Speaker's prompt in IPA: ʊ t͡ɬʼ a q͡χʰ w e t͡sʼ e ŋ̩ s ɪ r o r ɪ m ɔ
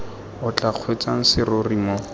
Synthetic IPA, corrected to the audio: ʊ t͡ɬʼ a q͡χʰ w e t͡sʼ a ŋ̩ s ɪ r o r i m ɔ

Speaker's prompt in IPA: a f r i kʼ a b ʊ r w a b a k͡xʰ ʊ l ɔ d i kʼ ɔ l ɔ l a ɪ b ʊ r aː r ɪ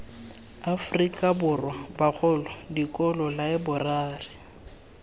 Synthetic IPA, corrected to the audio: a f r i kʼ a b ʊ r w a b a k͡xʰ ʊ l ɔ d i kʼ ɔ l ɔ l a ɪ b ʊ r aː r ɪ

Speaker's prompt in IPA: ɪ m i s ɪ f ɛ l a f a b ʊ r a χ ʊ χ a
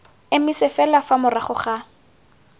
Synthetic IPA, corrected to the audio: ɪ m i s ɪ f ɛ l a f a m ʊ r a χ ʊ χ a

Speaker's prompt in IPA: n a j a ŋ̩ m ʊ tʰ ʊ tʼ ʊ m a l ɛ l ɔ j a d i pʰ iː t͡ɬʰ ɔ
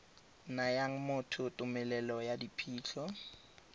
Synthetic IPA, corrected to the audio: n a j a ŋ̩ m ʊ tʰ ʊ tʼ ʊ m ɛ l ɛ l ɔ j a d i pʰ iː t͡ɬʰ ɔ

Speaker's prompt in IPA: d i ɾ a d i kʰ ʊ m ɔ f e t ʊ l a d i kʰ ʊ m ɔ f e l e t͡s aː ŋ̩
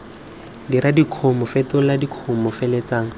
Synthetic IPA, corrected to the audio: d i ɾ a d i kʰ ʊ m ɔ f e t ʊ l a d i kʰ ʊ m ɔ f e l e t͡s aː ŋ̩

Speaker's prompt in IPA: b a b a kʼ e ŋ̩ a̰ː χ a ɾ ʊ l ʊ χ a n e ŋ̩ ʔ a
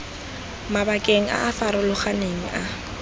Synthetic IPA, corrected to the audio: m a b a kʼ e ŋ̩ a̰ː f a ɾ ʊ l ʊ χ a n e ŋ̩ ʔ a

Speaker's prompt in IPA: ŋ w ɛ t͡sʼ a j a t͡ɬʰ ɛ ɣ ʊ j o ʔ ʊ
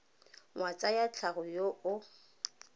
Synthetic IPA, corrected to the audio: ŋ w a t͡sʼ a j a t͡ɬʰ a ɣ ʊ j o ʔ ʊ

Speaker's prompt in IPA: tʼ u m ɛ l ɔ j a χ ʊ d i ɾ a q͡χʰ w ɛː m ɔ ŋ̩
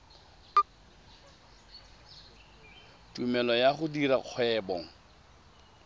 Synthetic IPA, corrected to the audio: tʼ u m ɛ l ɔ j a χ ʊ d i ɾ a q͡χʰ w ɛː b ɔ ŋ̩

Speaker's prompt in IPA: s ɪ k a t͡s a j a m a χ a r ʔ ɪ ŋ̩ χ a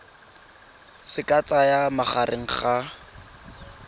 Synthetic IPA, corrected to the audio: s ɪ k a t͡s a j a m a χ a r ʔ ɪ ŋ̩ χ a

